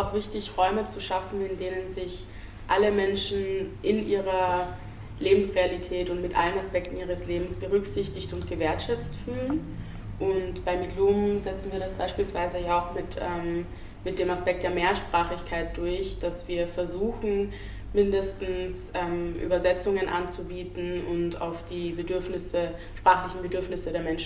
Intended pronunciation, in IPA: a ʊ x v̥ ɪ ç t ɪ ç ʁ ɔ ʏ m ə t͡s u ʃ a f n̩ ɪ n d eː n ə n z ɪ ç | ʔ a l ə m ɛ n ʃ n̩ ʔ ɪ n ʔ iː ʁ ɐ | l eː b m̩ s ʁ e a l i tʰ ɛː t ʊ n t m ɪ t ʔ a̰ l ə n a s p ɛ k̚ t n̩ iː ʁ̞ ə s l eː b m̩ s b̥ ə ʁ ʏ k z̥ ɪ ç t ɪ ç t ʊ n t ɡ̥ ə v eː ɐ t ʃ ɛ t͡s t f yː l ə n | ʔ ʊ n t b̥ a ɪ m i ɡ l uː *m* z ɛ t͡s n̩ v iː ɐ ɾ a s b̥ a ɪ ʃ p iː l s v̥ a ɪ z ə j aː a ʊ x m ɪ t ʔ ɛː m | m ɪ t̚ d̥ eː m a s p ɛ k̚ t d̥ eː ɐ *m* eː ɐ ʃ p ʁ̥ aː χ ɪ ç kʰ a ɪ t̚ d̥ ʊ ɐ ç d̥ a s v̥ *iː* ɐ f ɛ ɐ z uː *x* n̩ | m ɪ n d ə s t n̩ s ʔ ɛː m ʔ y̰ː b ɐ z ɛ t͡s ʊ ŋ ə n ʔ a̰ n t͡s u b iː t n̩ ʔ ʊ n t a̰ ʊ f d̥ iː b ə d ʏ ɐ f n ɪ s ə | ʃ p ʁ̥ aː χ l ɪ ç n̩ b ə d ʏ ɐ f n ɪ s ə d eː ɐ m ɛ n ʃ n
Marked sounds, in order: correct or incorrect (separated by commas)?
correct, correct, correct, correct